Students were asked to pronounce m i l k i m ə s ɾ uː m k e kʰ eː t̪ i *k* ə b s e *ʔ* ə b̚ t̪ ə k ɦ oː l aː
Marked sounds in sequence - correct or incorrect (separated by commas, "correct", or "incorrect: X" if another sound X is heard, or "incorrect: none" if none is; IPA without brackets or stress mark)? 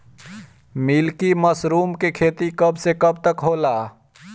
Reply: correct, incorrect: k